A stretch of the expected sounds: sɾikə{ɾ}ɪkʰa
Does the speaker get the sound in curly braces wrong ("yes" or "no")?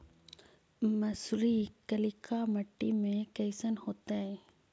yes